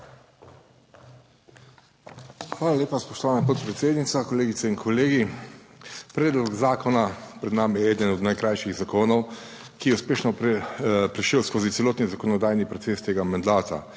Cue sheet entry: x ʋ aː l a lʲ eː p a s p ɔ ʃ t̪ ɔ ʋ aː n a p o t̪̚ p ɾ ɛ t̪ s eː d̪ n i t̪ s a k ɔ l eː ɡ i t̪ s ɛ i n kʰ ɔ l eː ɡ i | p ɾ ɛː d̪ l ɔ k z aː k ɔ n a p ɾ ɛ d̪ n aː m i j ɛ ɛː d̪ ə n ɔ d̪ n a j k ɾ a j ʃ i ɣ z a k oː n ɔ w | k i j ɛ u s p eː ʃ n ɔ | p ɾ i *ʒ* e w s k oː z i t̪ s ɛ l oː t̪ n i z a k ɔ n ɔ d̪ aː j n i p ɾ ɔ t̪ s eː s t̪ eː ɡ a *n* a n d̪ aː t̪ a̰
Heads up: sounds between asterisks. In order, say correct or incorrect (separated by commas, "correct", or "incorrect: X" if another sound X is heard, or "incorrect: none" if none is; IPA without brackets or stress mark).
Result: incorrect: ʃ, incorrect: m